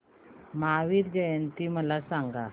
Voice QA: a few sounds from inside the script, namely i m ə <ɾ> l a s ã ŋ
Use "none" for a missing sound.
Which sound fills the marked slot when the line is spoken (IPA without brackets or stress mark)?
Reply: none